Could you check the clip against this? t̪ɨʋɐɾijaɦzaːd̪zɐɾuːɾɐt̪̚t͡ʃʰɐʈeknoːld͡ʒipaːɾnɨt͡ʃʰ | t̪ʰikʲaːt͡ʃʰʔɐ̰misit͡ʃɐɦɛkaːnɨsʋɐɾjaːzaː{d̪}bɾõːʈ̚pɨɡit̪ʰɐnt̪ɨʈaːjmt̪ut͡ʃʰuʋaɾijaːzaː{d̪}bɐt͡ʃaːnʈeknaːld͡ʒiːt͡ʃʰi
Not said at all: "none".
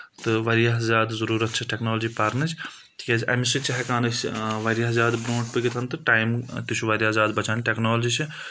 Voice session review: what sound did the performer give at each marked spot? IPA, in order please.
d̪, d̪

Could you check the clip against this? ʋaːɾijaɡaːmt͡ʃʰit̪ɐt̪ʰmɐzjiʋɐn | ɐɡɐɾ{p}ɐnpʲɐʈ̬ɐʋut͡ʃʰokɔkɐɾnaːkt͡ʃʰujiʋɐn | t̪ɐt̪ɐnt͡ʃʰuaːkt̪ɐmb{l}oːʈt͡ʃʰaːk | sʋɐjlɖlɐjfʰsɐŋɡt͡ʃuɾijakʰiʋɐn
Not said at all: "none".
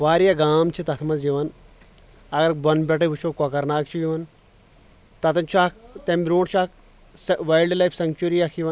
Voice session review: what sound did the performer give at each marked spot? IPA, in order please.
b, ɾ

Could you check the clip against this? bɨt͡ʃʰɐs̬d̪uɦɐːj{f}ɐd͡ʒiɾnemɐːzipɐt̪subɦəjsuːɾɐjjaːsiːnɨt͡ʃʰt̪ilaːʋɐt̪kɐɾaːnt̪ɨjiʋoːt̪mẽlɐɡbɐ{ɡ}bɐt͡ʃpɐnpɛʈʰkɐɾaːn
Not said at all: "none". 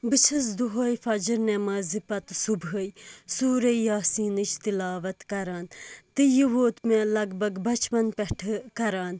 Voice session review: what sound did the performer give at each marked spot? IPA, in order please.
f, ɡ

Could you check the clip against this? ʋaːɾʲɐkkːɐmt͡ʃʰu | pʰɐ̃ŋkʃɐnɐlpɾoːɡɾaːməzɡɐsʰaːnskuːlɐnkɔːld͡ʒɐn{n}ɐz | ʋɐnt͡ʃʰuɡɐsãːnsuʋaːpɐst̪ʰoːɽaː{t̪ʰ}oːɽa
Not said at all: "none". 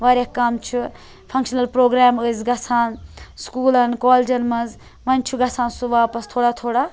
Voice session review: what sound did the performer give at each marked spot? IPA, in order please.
m, t̪ʰ

